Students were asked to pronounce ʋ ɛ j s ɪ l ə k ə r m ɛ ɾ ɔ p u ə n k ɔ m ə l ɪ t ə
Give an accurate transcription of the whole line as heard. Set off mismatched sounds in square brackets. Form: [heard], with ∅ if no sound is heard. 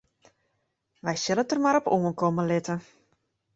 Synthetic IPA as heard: ʋ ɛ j s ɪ l ə [t] ə r m [a] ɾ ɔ p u ə n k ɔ m ə l ɪ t ə